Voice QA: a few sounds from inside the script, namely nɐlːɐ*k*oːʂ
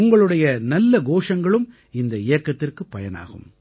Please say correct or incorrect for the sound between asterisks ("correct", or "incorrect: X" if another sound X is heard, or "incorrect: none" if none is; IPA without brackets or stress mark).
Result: incorrect: ɡ